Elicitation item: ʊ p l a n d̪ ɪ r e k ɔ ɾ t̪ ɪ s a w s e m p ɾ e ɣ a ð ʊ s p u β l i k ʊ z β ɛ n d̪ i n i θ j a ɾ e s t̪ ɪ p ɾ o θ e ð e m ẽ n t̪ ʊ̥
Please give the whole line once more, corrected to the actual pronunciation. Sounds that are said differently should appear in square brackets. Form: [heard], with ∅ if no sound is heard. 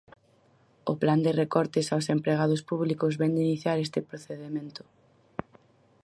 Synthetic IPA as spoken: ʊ p l a n d̪ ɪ r e k ɔ ɾ t̪ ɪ s a w s e m p ɾ e ɣ a ð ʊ s p u β l i k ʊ z β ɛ n d̪ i n i θ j a ɾ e s t̪ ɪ p ɾ o θ e ð e m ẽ n t̪ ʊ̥